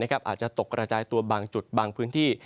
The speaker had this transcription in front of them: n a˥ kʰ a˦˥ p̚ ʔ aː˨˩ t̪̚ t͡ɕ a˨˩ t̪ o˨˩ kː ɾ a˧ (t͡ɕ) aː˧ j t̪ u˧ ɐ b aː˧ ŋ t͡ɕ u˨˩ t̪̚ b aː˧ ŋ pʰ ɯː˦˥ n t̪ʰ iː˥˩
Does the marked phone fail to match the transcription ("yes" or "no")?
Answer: no